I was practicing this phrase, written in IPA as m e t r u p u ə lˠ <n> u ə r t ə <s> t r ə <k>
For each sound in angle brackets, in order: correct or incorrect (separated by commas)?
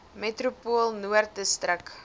correct, correct, correct